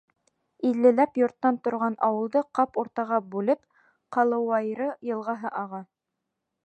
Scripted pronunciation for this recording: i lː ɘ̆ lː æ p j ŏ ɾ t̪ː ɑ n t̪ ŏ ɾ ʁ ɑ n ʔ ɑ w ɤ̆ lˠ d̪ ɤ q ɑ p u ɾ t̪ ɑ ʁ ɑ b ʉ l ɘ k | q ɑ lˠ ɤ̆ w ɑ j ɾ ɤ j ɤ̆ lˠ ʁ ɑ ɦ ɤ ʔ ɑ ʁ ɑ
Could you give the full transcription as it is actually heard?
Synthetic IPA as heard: i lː ɘ̆ l æ p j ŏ ɾ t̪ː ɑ n t̪ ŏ ɾ ʁ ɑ n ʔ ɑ w ɤ̆ lˠ d̪ ɤ q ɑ p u ɾ t̪ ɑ ʁ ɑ b ʉ l ɘ p | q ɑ lˠ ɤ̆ w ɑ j ɾ ɤ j ɤ̆ lˠ ʁ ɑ ɦ ɤ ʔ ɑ ʁ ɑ